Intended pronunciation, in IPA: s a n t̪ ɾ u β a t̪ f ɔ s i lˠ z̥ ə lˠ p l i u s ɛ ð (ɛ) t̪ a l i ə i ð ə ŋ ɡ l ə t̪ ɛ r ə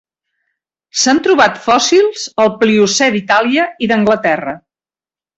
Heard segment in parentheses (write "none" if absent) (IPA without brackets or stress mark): i